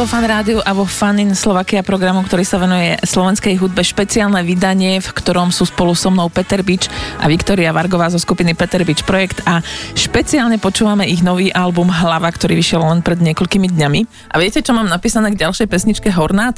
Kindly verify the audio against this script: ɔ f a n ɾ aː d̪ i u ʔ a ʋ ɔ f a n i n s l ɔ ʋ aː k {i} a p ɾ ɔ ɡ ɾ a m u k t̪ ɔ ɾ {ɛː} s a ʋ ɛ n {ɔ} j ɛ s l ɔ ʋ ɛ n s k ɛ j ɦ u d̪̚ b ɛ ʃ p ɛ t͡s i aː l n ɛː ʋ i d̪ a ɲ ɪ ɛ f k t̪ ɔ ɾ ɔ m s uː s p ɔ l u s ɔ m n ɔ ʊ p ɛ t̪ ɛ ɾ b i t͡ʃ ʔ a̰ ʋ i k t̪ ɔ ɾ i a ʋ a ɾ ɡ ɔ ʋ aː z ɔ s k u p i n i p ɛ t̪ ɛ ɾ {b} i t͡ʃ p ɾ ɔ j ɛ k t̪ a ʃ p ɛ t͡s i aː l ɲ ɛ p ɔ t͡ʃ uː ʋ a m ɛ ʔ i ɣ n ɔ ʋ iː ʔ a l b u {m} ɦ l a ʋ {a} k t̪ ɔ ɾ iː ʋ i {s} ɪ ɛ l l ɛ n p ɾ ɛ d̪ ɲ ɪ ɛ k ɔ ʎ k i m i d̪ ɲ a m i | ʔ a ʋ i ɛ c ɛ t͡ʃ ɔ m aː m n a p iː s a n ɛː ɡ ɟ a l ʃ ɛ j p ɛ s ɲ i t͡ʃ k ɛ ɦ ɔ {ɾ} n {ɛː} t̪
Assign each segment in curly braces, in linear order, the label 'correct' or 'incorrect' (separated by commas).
correct, incorrect, incorrect, correct, correct, correct, incorrect, correct, incorrect